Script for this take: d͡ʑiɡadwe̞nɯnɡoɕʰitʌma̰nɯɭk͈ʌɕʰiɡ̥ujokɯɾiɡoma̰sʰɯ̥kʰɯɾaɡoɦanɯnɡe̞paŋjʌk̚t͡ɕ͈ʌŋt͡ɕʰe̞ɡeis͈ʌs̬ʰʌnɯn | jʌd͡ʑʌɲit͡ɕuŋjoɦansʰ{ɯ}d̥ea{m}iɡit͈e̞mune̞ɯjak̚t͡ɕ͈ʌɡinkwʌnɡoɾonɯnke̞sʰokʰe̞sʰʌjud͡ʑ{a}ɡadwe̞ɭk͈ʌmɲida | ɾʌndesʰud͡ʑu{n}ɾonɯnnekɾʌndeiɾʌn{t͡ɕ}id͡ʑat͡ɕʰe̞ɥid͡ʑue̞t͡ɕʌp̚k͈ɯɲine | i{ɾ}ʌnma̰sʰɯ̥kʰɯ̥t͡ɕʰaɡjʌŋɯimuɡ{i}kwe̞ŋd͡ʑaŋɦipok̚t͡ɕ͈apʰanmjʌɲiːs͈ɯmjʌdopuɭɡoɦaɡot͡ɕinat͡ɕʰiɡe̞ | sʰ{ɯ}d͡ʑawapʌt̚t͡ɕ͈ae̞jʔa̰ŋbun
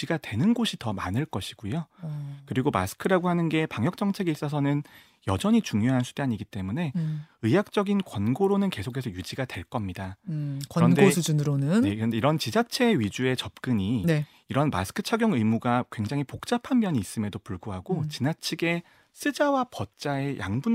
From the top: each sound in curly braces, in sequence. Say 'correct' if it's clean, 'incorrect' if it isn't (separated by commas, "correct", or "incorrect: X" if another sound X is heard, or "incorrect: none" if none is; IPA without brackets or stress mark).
incorrect: u, incorrect: ɲ, incorrect: i, correct, correct, correct, incorrect: a, correct